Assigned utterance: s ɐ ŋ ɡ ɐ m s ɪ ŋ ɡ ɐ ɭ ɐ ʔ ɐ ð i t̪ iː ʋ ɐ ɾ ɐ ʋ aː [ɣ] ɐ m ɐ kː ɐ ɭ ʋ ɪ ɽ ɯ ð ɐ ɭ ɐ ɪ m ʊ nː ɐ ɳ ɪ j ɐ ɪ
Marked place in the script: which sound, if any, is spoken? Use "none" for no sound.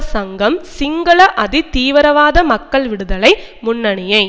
ð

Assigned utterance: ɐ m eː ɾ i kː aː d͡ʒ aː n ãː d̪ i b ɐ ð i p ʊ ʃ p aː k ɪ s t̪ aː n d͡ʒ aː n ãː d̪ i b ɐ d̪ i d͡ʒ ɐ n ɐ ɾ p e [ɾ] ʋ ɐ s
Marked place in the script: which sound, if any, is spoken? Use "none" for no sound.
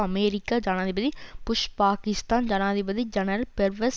ɾ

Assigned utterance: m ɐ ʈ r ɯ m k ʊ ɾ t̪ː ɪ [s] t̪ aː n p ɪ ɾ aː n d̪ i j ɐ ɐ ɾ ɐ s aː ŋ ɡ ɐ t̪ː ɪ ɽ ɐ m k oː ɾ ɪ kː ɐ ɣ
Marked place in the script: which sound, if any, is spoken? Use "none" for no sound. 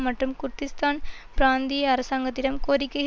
s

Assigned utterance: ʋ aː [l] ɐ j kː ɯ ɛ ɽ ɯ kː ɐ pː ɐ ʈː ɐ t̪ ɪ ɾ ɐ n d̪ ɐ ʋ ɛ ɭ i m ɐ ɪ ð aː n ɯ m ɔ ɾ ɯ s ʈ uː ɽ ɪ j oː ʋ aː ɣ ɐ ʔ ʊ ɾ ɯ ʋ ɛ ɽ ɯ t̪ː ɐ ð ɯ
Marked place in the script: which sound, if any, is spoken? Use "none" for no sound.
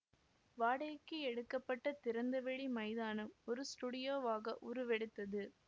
ɽ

